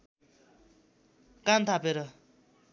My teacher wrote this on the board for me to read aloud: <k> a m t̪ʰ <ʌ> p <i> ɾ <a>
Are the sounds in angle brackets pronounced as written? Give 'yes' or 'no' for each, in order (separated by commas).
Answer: yes, no, no, no